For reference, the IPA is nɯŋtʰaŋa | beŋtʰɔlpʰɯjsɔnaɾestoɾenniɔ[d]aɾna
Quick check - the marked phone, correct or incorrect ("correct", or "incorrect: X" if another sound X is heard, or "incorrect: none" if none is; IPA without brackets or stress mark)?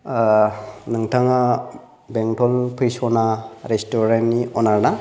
incorrect: n